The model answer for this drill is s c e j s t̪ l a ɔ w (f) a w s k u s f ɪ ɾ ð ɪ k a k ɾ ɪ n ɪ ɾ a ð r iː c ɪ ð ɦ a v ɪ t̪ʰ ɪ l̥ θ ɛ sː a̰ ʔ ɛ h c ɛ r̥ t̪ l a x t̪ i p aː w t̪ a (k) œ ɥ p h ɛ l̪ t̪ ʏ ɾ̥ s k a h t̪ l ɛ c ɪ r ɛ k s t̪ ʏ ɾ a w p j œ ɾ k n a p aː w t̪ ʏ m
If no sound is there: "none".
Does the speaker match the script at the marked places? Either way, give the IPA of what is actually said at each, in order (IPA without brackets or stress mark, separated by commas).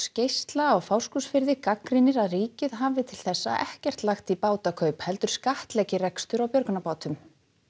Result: f, kʰ